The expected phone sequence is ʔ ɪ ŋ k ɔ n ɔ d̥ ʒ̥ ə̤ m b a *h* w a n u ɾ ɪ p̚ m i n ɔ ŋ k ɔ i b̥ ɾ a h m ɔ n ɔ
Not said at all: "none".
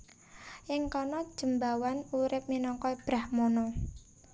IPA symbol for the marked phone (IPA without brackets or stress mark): none